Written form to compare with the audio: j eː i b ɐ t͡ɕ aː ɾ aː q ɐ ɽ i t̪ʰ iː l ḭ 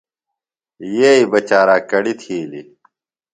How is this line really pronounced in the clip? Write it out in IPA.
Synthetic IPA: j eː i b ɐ t͡ɕ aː ɾ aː k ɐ ɽ i t̪ʰ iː l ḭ